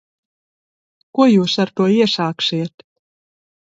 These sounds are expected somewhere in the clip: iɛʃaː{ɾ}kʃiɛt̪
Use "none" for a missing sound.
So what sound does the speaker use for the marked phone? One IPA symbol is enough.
none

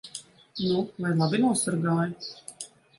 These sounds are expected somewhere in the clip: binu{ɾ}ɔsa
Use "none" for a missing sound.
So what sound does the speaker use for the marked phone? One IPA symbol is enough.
none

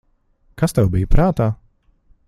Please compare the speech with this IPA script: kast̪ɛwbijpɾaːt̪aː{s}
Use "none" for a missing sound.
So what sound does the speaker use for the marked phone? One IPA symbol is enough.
none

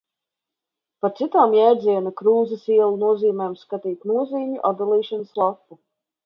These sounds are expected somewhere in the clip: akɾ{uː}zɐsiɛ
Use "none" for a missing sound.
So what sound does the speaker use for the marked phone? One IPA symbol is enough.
uː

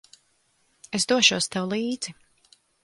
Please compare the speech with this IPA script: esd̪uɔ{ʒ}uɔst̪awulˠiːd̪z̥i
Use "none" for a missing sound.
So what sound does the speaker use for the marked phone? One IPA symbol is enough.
ʃ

